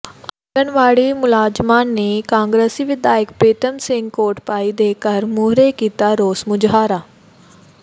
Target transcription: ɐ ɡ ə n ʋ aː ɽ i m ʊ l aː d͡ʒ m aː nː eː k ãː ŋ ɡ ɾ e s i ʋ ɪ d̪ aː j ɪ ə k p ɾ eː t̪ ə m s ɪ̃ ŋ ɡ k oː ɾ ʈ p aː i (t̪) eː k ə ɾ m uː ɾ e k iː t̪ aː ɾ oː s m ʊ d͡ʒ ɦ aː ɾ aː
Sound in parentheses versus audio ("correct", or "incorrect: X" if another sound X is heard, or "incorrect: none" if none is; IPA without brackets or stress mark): incorrect: d̪